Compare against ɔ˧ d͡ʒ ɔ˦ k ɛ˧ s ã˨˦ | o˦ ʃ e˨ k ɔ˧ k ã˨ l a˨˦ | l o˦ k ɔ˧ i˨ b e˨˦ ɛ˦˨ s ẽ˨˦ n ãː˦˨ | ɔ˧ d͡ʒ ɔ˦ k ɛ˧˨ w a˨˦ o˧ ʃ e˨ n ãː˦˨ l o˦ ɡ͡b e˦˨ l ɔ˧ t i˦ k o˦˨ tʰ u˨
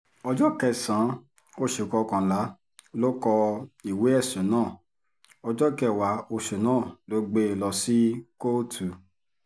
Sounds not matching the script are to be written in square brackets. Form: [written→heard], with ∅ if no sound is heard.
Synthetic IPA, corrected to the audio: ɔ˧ d͡ʒ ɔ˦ k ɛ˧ s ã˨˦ | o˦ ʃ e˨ k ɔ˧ k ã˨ l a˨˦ | l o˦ k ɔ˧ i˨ [b→w] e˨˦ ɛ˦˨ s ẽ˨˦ n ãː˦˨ | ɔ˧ d͡ʒ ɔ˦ k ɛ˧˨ w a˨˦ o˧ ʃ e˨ n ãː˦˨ l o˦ ɡ͡b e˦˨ l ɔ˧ [t→s] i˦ k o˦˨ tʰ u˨